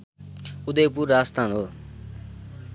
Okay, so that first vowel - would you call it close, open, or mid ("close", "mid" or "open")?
close